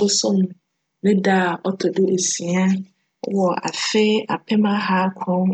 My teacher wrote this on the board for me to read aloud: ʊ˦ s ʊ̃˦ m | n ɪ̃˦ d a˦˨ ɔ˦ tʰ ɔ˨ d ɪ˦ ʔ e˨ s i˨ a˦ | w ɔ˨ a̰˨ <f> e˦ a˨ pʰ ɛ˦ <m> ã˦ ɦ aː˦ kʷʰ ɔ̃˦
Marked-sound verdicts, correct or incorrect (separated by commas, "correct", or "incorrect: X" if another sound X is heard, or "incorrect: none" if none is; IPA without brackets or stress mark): correct, correct